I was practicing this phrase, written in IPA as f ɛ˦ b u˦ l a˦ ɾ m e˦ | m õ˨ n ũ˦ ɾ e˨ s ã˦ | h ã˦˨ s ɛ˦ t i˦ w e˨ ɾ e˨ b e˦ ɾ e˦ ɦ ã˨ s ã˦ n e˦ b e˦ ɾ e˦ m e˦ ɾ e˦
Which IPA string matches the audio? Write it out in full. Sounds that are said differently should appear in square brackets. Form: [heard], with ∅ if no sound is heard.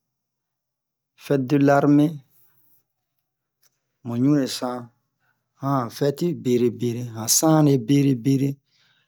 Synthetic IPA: f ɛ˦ [d] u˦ l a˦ ɾ m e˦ | m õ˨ [ɲ] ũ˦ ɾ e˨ s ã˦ | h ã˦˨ [f] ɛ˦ t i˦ [b] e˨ ɾ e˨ b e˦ ɾ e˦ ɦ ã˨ s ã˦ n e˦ b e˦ ɾ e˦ [b] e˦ ɾ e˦